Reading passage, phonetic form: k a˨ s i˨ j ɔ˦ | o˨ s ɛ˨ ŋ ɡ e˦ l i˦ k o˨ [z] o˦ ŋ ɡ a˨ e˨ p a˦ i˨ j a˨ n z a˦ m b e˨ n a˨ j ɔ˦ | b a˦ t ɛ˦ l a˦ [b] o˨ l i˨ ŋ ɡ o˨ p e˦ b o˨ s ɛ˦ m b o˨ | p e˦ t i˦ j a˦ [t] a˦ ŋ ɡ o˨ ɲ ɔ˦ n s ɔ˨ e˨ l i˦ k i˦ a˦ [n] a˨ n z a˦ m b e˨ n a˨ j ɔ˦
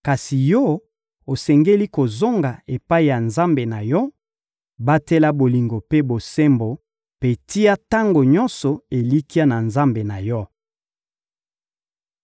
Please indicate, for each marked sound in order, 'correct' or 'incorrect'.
correct, correct, correct, correct

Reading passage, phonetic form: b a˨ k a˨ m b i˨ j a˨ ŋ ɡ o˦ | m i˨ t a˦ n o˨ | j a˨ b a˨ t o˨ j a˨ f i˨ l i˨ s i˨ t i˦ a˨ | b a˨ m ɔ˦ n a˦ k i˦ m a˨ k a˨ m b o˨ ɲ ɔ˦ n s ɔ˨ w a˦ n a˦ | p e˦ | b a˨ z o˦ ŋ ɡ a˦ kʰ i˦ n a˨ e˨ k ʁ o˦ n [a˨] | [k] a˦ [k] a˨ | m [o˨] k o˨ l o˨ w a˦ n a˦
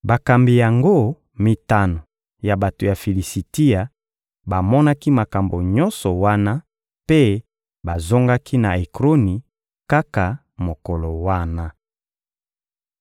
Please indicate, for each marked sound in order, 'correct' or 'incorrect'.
incorrect: i˨, correct, correct, correct

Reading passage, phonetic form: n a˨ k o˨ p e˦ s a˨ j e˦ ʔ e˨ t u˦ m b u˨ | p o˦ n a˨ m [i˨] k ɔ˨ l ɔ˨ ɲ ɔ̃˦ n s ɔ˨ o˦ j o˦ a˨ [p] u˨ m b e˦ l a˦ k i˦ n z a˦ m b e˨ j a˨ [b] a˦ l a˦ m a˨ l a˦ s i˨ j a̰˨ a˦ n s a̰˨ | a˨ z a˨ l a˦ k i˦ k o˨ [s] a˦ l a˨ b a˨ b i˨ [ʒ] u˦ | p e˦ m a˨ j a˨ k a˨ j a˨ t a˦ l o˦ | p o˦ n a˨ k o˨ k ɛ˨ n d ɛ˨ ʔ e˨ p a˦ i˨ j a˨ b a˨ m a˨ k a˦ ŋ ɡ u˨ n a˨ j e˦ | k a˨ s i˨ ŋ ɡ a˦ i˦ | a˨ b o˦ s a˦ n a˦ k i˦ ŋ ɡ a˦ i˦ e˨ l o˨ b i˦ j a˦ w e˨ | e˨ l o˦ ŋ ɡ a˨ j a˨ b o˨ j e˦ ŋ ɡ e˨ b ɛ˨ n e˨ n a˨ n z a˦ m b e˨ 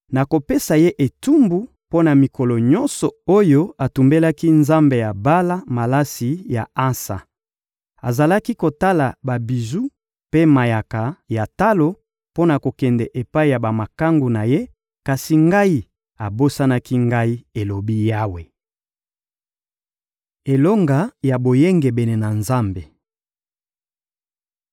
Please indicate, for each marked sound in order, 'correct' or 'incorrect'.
correct, incorrect: t, correct, incorrect: t, incorrect: z

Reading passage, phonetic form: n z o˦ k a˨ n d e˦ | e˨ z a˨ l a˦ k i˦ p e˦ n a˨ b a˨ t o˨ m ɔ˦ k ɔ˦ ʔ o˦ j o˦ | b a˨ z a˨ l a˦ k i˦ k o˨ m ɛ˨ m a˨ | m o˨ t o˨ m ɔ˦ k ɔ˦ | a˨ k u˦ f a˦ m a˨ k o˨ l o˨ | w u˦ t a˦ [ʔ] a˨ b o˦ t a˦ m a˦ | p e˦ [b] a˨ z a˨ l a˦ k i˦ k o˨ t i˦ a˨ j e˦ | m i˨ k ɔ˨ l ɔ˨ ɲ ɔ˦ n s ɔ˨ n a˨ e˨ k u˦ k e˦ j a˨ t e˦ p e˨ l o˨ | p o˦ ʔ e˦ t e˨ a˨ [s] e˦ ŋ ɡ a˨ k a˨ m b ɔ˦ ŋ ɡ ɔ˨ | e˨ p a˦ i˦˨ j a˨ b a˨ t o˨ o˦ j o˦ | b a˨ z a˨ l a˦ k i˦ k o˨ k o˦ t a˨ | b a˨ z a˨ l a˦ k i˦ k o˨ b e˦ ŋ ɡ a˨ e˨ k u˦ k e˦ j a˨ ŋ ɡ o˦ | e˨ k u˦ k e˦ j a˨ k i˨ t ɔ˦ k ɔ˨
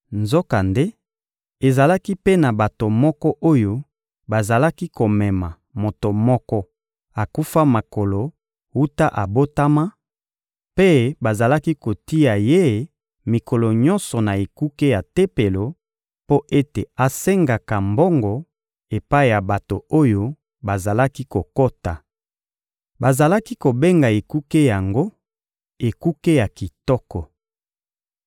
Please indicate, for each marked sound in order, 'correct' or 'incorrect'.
correct, correct, correct

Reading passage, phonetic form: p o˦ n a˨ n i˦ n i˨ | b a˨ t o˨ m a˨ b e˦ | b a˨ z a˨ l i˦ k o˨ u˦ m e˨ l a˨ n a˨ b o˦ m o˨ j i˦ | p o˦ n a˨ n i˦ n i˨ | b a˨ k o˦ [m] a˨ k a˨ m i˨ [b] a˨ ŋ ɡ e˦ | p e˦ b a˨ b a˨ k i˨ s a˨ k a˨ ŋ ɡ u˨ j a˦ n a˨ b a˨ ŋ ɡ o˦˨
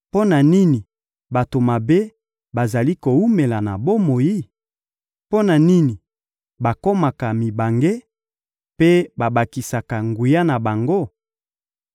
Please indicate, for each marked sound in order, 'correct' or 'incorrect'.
correct, correct

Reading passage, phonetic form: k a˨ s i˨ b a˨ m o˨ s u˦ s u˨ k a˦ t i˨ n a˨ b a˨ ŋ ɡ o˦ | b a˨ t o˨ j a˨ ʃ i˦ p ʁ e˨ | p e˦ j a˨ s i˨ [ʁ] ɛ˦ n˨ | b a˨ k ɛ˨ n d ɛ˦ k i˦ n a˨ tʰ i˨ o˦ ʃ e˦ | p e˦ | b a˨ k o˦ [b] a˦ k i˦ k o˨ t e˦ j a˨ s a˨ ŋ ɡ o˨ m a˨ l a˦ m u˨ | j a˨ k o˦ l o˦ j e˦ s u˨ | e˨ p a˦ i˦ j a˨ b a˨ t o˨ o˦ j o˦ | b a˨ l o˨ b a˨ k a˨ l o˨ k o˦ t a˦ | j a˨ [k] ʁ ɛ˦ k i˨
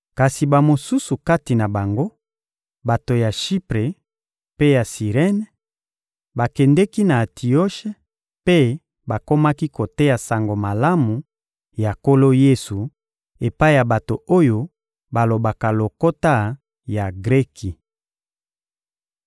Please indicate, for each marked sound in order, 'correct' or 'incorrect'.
correct, incorrect: m, incorrect: ɡ

